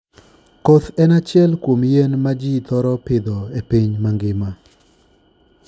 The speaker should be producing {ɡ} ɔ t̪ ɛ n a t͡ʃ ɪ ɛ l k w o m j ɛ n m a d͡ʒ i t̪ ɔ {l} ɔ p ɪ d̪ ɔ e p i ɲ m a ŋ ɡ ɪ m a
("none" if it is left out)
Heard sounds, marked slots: k, ɾ

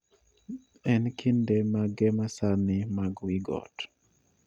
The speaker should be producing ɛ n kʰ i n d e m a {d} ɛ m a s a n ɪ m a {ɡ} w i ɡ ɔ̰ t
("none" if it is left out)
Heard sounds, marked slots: ɡ, ɡ

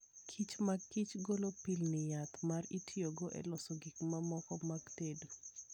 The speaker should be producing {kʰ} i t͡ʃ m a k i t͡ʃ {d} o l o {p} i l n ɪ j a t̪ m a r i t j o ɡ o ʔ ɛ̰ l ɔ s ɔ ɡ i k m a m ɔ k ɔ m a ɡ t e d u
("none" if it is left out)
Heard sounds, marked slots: kʰ, ɡ, p

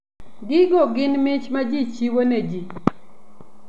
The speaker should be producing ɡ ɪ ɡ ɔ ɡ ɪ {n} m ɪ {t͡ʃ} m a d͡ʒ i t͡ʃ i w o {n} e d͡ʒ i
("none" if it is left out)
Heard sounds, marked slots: n, t͡ʃ, n

